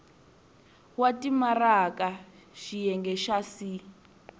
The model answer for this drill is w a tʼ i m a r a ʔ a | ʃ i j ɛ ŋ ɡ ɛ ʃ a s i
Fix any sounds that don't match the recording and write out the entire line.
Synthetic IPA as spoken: w a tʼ i m a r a k a | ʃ i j ɛ ŋ ɡ ɛ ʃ a s i